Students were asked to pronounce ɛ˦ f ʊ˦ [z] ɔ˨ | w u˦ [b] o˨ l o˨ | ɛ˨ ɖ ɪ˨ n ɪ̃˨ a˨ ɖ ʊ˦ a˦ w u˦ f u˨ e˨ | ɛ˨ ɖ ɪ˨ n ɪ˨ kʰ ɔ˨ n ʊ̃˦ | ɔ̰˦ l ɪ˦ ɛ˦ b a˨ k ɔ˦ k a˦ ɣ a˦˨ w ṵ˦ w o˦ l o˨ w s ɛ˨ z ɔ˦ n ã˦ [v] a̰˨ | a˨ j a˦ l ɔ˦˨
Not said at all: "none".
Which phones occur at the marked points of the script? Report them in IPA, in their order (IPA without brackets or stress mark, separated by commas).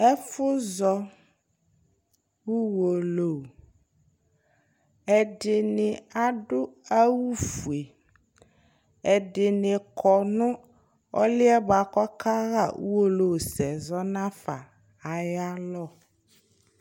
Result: z, w, f